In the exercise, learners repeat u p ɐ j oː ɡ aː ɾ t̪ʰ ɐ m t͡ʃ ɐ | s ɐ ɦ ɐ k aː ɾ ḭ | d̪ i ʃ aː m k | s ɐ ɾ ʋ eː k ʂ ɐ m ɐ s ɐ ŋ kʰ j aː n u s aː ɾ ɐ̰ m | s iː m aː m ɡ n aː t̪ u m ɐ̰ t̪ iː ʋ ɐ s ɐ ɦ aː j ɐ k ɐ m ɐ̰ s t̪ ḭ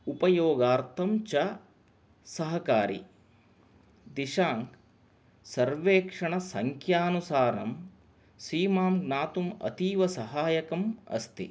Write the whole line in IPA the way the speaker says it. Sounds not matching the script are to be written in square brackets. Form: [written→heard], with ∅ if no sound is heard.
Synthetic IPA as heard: u p ɐ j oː ɡ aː ɾ t̪ʰ ɐ m t͡ʃ ɐ | s ɐ ɦ ɐ k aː ɾ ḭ | d̪ i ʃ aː [m→ŋ] k | s ɐ ɾ ʋ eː k ʂ ɐ [m→ɳ] ɐ s ɐ ŋ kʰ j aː n u s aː ɾ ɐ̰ m | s iː m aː m ɡ n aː t̪ u m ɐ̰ t̪ iː ʋ ɐ s ɐ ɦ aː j ɐ k ɐ m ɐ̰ s t̪ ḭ